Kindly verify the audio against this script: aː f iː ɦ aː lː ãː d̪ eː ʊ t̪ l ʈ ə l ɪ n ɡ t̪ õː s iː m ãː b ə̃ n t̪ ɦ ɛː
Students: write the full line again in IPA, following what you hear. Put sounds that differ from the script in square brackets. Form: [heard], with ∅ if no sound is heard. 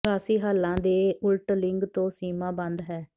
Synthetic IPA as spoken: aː [s] iː ɦ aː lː ãː d̪ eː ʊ [∅] l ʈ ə l ɪ [ŋ] ɡ t̪ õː s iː m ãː b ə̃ n [d̪] ɦ ɛː